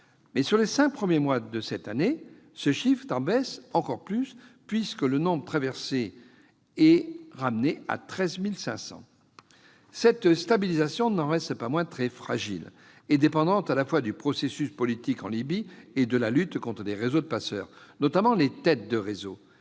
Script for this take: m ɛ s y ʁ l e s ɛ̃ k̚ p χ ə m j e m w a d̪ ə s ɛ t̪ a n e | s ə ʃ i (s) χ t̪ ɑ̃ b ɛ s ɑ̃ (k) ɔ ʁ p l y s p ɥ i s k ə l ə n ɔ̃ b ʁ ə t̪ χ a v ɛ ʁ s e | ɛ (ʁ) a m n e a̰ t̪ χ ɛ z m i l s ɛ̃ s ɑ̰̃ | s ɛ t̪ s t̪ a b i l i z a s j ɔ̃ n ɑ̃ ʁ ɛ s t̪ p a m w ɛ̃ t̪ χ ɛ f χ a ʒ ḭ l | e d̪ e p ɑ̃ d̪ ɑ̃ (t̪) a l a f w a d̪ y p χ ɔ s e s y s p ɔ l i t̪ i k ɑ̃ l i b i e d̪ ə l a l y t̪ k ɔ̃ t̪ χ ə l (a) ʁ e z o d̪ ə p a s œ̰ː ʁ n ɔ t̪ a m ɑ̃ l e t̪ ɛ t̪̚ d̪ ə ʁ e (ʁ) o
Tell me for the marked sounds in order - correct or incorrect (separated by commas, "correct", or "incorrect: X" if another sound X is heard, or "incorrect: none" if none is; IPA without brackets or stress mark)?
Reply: incorrect: f, correct, correct, correct, incorrect: e, incorrect: z